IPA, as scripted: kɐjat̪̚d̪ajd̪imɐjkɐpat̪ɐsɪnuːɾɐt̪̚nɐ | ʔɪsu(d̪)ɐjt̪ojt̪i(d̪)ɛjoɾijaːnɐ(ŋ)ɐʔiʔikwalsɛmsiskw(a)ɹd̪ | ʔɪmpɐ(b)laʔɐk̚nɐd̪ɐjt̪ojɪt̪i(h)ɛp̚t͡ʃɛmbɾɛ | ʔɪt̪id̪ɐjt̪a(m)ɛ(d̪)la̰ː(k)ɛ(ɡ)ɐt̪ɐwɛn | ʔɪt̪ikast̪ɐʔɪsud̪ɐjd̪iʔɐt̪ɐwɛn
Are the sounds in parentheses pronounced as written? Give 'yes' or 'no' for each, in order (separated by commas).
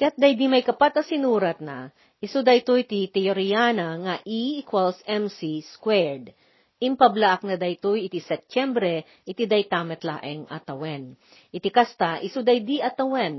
yes, no, yes, no, yes, no, yes, no, no, no